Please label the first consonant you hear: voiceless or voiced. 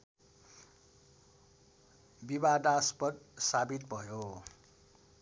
voiced